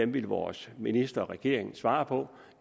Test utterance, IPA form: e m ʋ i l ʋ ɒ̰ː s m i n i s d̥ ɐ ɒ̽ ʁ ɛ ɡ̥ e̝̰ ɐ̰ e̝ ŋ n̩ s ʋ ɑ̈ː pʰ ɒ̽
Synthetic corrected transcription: e m ʋ i l ʋ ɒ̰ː s m i n i s d̥ ɐ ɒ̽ ʁ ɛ ɡ̥ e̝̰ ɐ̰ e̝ ŋ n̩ s ʋ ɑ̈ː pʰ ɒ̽

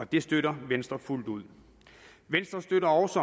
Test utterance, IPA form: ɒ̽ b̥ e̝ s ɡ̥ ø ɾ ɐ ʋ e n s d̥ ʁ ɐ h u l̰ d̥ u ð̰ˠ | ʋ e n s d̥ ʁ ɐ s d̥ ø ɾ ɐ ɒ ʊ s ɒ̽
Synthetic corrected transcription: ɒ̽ d̥ e̝ s d̥ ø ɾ ɐ ʋ e n s d̥ ʁ ɐ f u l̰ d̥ u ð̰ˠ | ʋ e n s d̥ ʁ ɐ s d̥ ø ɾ ɐ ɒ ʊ s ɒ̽

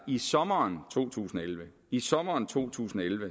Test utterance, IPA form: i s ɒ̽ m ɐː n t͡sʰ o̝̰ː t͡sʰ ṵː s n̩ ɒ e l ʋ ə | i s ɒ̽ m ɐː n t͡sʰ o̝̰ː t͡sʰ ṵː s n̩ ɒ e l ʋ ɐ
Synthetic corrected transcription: i s ɒ̽ m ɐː n t͡sʰ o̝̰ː t͡sʰ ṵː s n̩ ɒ e l ʋ ə | i s ɒ̽ m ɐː n t͡sʰ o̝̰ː t͡sʰ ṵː s n̩ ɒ e l ʋ ə

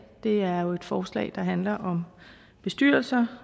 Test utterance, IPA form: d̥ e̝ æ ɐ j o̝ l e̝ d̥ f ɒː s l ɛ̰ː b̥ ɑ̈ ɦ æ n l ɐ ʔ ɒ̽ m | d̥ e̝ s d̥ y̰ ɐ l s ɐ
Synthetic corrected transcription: d̥ e̝ æ ɐ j o̝ e̝ d̥ f ɒː s l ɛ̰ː d̥ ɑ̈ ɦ æ n l ɐ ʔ ɒ̽ m | b̥ e̝ s d̥ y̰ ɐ l s ɐ

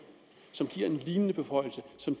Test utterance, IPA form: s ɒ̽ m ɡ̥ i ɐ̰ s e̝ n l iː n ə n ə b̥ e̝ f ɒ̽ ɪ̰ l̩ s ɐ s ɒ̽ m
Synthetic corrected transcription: s ɒ̽ m ɡ̥ i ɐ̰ e̝ n l iː n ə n ə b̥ e̝ f ɒ̽ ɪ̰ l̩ s ə s ɒ̽ m

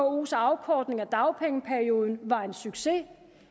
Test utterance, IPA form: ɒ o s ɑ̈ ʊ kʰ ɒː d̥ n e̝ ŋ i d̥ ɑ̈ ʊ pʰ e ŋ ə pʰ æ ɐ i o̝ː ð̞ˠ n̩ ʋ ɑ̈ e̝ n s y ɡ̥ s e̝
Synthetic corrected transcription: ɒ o s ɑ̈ ʊ kʰ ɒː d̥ n e̝ ŋ æ d̥ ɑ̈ ʊ pʰ e ŋ ə pʰ æ ɐ i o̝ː ð̞ˠ n̩ ʋ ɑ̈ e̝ n s y ɡ̥ s e̝

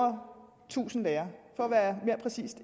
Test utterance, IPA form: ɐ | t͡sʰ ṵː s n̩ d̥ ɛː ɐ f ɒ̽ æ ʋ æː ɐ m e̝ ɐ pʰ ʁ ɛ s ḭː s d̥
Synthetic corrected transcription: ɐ | t͡sʰ ṵː s n̩ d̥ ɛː ɐ f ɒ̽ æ ʋ æː ɐ m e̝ ɐ pʰ ʁ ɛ s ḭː s d̥

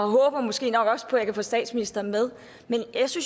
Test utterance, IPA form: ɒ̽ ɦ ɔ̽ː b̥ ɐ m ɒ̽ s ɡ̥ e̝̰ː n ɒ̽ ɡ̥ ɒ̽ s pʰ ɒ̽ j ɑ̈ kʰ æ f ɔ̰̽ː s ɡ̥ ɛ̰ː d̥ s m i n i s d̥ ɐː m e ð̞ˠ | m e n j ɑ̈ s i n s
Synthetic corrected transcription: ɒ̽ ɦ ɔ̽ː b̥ ɐ m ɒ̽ s ɡ̥ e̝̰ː n ɒ̽ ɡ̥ ɒ̽ s pʰ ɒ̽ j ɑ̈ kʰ æ f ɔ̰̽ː s d̥ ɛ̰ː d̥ s m i n i s d̥ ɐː m e ð̞ˠ | m e n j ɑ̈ s y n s

